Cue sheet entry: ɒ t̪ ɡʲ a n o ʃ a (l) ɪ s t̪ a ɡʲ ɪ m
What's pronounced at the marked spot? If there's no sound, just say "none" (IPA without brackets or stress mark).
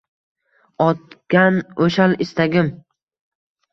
l